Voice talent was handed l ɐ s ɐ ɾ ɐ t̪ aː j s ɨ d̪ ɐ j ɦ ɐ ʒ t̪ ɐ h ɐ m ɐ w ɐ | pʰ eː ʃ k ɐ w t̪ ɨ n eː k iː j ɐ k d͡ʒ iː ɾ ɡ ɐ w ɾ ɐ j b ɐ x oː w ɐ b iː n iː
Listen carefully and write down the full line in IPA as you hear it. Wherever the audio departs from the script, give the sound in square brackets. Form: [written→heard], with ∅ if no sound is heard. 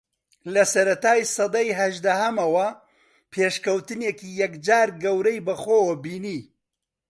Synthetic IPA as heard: l ɐ s ɐ ɾ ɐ t̪ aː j s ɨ d̪ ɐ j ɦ ɐ ʒ [t̪→d̪] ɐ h ɐ m ɐ w ɐ | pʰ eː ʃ k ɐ w t̪ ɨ n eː k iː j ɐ k d͡ʒ [iː→aː] ɾ ɡ ɐ w ɾ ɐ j b ɐ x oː w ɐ b iː n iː